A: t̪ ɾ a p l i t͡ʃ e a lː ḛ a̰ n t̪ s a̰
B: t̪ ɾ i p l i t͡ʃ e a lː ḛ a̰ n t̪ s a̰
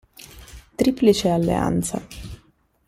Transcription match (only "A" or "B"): B